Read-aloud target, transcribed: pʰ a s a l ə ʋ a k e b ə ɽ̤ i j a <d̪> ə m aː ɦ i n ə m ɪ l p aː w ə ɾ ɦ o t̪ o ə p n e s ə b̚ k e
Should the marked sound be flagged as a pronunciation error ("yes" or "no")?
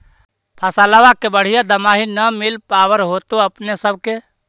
no